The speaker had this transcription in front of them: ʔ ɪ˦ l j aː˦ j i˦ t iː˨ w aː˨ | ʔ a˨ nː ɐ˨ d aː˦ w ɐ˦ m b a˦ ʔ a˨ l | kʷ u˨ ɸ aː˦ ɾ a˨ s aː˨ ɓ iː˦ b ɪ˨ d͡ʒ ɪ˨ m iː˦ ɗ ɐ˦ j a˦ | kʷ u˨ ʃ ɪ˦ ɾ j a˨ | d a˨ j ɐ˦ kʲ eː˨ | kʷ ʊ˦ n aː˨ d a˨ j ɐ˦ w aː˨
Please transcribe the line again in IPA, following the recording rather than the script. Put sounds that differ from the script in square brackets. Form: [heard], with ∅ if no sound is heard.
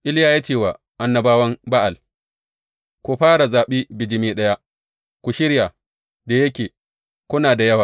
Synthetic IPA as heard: ʔ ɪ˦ l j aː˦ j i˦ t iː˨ w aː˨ | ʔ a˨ nː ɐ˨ [b] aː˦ w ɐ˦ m b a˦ ʔ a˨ l | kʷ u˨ ɸ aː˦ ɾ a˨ [z] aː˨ ɓ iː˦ b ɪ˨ d͡ʒ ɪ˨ m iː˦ ɗ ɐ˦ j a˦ | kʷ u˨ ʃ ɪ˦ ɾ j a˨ | d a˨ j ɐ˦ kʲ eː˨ | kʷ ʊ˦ n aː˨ d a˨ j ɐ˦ w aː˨

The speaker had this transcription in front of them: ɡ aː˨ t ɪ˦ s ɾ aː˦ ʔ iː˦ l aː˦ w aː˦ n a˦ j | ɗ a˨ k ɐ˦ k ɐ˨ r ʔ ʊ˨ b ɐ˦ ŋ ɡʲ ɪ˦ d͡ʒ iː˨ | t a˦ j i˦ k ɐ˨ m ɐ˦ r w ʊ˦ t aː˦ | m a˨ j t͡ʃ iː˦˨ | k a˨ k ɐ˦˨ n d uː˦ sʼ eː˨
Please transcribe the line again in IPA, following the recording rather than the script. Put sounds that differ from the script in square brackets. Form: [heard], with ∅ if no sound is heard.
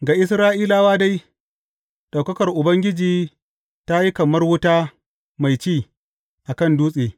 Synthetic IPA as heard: ɡ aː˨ [ʔ] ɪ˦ s ɾ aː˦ ʔ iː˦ l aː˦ w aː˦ [d] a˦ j | ɗ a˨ k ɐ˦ k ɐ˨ r ʔ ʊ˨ b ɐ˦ ŋ ɡʲ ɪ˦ d͡ʒ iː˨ | t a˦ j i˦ k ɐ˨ m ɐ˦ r w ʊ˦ t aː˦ | m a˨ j t͡ʃ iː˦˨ | [ʔ] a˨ k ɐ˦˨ n d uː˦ sʼ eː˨

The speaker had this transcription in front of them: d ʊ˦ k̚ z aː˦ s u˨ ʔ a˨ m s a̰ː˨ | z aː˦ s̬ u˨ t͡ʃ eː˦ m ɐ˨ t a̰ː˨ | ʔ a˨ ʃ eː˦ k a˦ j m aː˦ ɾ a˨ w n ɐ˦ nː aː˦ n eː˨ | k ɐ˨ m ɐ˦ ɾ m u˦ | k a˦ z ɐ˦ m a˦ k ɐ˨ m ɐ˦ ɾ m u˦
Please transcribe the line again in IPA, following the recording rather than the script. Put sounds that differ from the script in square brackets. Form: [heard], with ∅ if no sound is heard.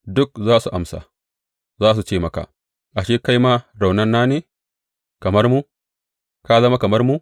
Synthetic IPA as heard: d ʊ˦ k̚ z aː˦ s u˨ ʔ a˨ m s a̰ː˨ | z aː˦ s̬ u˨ t͡ʃ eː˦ m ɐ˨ [k] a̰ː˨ | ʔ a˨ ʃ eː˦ k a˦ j m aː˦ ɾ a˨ w n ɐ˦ nː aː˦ n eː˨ | k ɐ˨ m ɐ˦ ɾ m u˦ | k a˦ z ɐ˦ m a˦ k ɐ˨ m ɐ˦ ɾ m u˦

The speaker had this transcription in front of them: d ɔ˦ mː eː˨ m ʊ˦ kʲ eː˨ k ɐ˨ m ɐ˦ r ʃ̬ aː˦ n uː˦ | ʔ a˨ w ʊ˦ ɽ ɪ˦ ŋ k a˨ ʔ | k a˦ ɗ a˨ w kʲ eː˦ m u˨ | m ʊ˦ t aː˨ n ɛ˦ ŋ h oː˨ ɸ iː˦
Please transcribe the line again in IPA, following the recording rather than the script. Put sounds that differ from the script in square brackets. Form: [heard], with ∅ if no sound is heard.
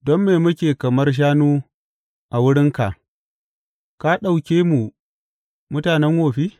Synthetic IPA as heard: d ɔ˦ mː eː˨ m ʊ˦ kʲ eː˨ k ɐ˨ m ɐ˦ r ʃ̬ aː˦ n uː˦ | ʔ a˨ w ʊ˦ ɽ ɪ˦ ŋ k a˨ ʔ | k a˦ ɗ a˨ w kʲ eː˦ m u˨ | m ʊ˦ t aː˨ n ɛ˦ ŋ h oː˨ ɸ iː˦

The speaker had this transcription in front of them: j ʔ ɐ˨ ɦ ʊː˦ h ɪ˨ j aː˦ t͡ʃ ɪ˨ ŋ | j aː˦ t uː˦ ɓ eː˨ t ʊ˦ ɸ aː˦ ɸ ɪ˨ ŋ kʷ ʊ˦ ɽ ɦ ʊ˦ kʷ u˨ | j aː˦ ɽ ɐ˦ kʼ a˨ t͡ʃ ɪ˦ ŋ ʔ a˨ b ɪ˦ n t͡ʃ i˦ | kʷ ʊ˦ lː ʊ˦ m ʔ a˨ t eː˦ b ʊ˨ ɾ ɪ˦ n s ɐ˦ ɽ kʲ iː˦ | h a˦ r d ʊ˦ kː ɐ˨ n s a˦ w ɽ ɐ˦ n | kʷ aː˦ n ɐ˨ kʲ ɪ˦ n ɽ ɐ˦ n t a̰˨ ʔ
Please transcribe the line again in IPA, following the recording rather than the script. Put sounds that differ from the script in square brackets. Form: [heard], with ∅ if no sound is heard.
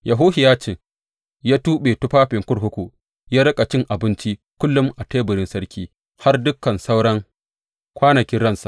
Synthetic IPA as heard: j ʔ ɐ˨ ɦ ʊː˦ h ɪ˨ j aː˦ t͡ʃ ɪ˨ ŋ | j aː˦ t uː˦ ɓ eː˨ t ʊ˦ ɸ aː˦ ɸ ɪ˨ ŋ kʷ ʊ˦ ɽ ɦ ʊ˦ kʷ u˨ | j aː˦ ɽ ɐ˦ kʼ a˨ t͡ʃ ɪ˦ ŋ ʔ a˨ b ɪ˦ n t͡ʃ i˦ | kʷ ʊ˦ lː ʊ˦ m ʔ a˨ t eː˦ b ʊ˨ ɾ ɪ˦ n s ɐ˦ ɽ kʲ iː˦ | h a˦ r d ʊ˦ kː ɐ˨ n s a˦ w ɽ ɐ˦ [ŋ] | kʷ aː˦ n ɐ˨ kʲ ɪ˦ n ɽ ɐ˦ n [s] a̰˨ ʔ

